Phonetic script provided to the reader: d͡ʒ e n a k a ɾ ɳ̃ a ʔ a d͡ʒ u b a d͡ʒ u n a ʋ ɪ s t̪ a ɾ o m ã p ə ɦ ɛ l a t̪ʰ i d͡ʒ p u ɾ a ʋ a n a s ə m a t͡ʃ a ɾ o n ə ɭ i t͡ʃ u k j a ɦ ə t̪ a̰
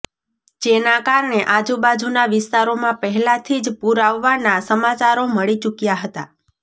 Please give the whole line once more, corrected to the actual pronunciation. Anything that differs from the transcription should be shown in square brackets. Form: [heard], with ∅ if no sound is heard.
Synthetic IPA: d͡ʒ e n a k a ɾ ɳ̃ [e] ʔ a d͡ʒ u b a d͡ʒ u n a ʋ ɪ s t̪ a ɾ o m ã p ə ɦ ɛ l a t̪ʰ i d͡ʒ p u ɾ a [ʋː] a n a s ə m a t͡ʃ a ɾ o [m] ə ɭ i t͡ʃ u k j a ɦ ə t̪ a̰